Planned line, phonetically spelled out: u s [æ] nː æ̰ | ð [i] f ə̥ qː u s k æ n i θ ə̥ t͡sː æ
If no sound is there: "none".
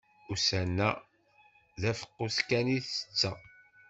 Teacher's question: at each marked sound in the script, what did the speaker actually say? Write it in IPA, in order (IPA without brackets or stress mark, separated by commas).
æ, æ